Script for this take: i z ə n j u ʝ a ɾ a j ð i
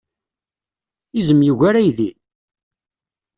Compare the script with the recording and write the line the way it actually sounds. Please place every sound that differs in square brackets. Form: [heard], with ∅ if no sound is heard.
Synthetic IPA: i z ə [m] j u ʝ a ɾ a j ð i